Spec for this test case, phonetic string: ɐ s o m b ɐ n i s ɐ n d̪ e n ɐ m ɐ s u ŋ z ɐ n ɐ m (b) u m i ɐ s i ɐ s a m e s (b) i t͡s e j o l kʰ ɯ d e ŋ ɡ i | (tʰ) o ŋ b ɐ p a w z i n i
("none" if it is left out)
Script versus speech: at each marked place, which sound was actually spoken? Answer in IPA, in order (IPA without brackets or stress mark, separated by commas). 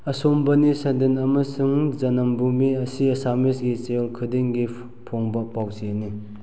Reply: b, ɡ, pʰ